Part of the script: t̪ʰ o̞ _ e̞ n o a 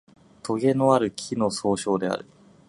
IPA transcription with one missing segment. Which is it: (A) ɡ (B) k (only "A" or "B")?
A